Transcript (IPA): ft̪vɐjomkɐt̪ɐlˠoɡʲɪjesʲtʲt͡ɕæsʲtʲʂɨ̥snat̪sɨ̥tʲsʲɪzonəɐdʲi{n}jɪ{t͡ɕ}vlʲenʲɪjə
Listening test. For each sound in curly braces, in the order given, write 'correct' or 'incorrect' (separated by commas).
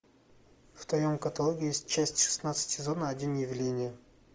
correct, incorrect